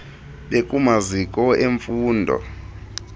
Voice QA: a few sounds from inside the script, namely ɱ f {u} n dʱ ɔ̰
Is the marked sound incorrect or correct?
incorrect